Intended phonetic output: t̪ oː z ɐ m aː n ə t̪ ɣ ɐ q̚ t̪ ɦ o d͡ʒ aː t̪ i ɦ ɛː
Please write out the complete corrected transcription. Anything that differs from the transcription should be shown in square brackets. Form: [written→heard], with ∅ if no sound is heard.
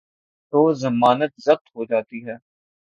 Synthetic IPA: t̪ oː z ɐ m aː n ə t̪ [ɣ→z] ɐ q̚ t̪ ɦ o d͡ʒ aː t̪ i ɦ ɛː